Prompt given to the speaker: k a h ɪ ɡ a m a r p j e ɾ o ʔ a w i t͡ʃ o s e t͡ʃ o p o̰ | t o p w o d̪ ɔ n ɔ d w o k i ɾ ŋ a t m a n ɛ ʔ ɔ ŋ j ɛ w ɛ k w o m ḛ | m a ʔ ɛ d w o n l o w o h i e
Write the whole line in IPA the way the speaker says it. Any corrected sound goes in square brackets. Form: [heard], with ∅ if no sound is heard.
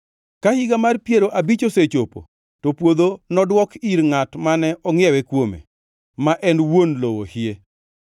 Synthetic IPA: k a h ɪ ɡ a m a r p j e ɾ o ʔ a [b] i t͡ʃ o s e t͡ʃ o p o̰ | t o p w o d̪ [o] n ɔ d w [ɔ] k i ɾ ŋ a t m a n ɛ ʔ ɔ ŋ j ɛ w ɛ k w o m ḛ | m a ʔ ɛ [n] w o n l o w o h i e